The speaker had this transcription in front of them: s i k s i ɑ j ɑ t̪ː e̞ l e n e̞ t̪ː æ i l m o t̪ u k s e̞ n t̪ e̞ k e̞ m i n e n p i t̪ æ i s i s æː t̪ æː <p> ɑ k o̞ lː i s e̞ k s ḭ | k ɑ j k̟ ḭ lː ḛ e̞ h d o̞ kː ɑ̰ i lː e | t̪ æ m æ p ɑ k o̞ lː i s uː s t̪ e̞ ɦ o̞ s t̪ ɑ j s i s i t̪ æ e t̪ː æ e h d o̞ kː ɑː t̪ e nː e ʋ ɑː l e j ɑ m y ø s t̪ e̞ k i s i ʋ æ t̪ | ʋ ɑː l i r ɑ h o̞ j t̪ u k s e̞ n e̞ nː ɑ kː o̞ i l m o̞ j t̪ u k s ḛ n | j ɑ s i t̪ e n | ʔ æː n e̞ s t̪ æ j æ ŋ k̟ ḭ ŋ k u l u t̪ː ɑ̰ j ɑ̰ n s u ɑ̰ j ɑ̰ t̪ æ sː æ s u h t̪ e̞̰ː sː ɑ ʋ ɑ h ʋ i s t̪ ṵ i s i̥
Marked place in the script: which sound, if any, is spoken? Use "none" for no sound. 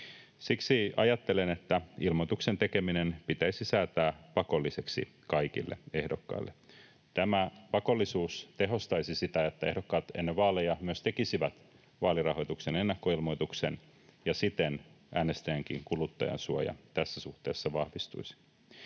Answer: p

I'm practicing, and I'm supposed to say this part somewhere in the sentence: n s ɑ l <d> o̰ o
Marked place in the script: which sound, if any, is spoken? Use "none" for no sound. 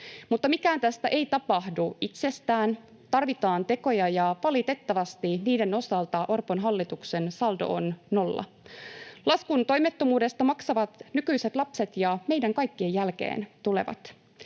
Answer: d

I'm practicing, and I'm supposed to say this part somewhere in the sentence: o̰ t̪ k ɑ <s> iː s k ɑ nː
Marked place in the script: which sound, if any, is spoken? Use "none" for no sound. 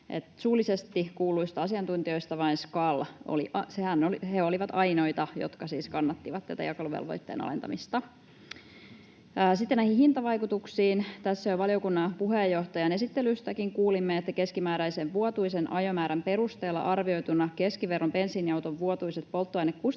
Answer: s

